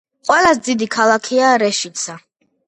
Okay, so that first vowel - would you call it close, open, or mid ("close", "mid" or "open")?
mid